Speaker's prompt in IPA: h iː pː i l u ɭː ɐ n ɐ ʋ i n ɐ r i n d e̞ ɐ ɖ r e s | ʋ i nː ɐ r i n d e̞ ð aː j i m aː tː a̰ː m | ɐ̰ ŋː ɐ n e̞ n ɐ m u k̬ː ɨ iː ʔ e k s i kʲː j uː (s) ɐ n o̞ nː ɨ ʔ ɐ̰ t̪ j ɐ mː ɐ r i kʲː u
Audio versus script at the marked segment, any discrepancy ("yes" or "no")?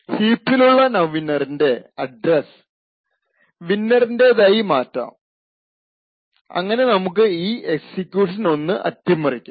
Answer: yes